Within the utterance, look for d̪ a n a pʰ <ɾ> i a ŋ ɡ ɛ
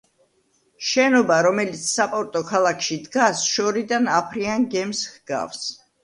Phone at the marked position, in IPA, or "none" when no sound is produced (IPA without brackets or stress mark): ɾ